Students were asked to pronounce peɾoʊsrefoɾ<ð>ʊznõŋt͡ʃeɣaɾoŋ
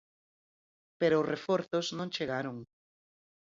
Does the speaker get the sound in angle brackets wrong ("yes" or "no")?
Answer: yes